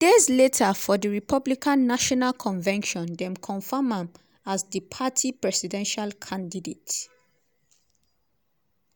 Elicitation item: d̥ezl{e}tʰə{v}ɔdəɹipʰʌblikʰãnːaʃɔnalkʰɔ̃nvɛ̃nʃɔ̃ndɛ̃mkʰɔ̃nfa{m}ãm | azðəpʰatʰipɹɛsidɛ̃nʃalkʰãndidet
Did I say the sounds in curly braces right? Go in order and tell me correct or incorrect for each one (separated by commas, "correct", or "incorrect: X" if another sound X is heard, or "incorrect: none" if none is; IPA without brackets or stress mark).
correct, incorrect: f, correct